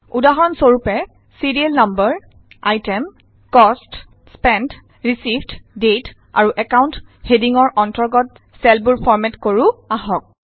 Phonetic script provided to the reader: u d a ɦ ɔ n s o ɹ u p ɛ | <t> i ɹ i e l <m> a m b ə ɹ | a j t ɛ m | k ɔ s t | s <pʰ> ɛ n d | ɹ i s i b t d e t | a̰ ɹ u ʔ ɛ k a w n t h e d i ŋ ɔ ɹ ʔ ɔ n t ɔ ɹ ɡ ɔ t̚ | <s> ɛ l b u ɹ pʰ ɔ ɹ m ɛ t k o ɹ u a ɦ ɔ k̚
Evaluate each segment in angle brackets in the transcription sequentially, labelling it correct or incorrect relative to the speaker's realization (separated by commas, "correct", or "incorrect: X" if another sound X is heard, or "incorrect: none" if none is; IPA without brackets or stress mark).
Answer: incorrect: s, incorrect: n, incorrect: p, correct